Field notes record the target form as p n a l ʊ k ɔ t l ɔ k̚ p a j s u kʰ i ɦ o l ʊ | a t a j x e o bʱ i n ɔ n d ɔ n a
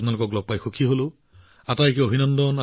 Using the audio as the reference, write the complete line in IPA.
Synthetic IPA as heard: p n a l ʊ k ɔ k l ɔ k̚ p a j x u kʰ i ɦ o l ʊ | a t a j k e o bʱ i n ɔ n d ɔ n a